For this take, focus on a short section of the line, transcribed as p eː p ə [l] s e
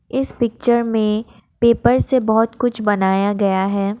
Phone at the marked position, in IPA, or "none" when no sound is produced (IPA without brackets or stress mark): ɾ